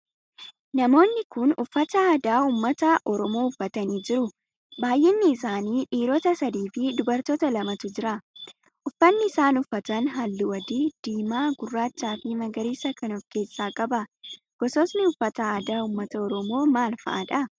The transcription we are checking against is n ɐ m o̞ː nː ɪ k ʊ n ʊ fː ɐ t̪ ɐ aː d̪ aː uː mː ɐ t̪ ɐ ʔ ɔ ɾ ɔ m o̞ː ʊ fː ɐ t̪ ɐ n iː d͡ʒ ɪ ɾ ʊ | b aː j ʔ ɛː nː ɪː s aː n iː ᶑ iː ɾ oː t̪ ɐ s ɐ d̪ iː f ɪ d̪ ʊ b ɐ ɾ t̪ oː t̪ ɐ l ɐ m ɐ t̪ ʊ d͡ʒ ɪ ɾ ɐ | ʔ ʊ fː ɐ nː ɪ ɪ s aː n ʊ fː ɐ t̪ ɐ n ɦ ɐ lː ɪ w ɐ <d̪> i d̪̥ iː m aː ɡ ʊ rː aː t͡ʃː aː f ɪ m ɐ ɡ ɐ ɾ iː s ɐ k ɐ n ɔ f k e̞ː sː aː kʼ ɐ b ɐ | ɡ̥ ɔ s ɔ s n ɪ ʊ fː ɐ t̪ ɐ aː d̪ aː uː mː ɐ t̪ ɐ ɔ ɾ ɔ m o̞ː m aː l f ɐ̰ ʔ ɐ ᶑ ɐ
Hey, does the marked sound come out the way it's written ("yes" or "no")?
yes